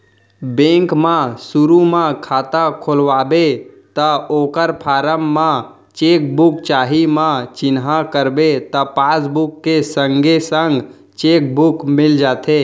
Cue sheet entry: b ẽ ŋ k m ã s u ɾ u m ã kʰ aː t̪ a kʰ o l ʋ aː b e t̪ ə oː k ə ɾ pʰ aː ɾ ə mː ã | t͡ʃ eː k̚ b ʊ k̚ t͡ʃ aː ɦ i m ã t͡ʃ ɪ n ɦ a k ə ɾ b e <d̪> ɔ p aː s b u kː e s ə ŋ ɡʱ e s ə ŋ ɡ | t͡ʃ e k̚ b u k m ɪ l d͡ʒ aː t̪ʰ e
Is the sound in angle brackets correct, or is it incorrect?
incorrect